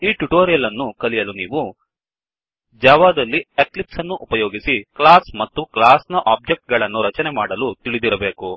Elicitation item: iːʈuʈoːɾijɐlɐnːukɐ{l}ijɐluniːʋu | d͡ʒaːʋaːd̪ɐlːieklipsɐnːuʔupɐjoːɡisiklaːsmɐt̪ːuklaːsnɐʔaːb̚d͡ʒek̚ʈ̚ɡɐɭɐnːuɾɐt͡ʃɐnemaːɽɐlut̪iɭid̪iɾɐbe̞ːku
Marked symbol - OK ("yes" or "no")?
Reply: yes